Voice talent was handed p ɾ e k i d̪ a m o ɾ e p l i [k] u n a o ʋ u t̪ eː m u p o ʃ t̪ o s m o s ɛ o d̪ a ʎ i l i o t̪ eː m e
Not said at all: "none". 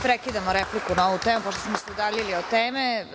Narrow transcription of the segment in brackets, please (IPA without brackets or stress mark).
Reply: k